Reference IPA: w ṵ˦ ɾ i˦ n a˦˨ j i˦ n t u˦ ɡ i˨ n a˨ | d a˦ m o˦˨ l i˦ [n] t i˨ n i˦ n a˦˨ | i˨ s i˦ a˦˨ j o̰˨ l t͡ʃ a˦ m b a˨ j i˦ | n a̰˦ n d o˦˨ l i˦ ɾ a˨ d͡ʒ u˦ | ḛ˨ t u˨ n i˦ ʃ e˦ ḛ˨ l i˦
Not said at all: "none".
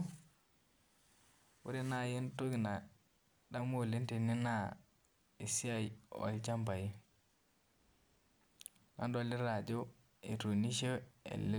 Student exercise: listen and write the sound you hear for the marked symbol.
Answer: n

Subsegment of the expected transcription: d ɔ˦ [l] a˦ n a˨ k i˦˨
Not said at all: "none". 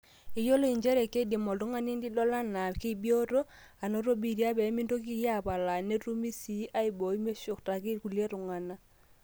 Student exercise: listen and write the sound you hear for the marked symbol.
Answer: l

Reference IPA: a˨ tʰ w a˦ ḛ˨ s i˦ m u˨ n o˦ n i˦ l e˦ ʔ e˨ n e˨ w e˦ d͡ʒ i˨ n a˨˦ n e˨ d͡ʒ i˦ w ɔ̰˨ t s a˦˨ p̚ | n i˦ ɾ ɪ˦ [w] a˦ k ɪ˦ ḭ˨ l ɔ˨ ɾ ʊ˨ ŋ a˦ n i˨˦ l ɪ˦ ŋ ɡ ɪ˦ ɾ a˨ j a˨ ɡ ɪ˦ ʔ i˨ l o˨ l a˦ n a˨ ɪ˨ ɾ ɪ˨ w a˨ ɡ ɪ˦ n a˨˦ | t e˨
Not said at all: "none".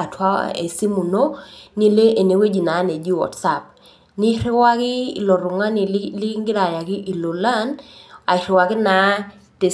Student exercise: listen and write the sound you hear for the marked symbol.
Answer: w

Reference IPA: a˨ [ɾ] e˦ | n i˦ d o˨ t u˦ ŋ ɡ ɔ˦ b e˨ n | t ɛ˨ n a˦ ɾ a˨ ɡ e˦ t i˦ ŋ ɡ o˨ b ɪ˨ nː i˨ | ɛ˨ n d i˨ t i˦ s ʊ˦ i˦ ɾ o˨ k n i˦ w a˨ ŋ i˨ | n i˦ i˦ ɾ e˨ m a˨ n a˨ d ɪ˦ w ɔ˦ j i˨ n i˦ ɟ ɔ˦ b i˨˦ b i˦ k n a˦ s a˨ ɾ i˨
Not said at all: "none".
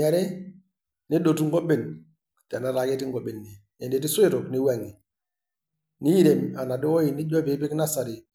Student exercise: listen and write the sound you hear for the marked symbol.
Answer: ɾ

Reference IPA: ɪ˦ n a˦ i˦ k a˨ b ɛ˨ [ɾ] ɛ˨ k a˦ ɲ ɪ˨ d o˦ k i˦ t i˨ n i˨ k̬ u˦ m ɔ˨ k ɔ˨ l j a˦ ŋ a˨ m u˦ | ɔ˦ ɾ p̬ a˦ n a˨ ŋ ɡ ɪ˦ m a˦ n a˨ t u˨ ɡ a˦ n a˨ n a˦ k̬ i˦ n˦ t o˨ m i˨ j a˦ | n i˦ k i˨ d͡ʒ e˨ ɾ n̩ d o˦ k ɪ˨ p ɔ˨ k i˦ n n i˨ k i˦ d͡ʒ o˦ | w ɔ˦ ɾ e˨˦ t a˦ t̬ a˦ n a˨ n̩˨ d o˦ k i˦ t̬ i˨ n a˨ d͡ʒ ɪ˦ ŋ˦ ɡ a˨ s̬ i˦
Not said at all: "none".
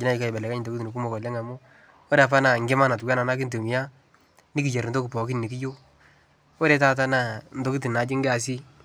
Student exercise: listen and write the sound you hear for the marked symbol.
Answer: l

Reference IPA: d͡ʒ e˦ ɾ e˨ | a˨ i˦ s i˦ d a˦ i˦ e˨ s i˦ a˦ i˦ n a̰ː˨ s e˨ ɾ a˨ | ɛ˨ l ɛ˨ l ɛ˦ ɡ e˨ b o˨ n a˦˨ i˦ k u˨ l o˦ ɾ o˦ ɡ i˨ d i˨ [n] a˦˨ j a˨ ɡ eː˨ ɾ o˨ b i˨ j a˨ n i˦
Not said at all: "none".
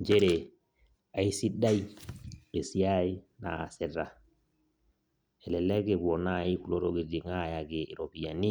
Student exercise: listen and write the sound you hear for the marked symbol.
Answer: ŋ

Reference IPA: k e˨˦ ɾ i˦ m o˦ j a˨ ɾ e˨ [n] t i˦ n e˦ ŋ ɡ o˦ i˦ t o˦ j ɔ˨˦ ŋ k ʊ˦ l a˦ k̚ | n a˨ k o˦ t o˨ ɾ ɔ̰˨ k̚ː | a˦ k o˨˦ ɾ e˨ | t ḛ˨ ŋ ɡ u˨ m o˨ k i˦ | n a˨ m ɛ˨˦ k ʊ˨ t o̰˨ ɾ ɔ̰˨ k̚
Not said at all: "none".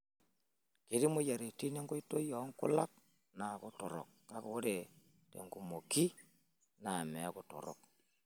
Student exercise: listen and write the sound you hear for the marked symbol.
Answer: none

